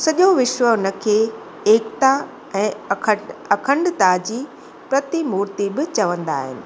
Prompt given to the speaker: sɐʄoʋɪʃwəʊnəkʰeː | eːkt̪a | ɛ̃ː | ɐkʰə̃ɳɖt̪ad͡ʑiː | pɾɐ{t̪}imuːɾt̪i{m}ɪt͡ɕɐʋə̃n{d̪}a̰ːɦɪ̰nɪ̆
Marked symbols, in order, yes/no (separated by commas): yes, no, yes